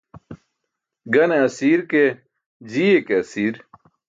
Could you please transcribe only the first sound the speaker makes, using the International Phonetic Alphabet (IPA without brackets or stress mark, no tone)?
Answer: ɡ